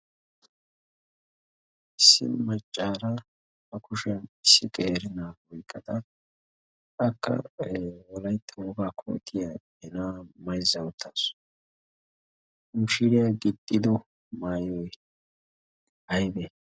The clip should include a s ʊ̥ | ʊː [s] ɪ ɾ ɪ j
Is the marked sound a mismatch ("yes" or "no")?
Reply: yes